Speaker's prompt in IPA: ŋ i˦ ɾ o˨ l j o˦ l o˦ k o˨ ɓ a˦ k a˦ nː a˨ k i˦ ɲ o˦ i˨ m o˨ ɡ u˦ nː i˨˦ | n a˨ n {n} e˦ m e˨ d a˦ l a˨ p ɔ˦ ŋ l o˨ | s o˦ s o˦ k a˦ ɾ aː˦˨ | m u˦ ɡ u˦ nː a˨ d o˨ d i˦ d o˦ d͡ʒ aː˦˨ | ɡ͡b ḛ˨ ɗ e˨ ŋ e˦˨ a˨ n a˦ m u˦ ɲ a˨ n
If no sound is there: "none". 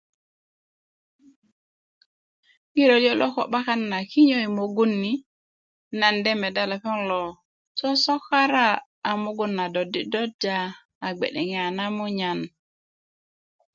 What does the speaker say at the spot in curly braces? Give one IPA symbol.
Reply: d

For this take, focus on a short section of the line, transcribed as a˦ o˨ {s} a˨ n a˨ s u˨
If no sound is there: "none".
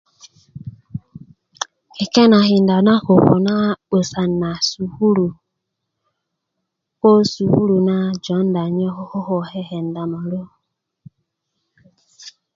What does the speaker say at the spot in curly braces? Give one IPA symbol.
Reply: s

